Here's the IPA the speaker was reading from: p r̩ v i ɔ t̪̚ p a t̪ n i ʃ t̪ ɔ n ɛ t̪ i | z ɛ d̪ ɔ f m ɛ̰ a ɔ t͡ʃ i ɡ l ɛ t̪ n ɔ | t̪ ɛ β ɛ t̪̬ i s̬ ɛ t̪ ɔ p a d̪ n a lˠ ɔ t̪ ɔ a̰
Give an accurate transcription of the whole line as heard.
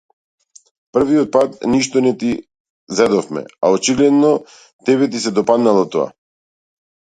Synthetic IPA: p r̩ v i ɔ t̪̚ p a t̪ n i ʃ t̪ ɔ n ɛ t̪ i | z ɛ d̪ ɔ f m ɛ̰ a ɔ t͡ʃ i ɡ l ɛ d̪ n ɔ | t̪ ɛ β ɛ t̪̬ i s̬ ɛ d̪ ɔ p a d̪ n a lˠ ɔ t̪ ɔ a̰